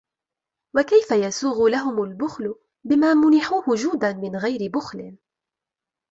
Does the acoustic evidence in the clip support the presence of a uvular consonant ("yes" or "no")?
no